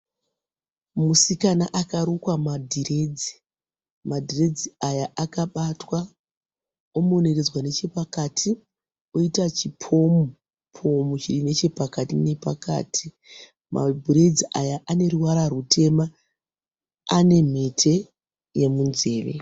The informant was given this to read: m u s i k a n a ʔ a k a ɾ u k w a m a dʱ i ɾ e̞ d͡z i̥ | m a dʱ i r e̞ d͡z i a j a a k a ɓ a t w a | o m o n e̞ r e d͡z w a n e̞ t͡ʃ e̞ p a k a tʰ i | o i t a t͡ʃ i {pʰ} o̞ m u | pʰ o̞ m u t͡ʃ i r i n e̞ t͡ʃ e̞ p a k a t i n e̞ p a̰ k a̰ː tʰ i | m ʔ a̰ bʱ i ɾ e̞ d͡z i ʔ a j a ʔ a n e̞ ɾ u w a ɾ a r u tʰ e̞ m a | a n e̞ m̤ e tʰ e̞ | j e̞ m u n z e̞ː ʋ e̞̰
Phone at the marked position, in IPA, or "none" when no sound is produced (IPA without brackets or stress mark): pʰ